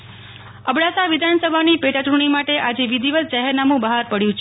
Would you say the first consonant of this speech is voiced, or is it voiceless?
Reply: voiced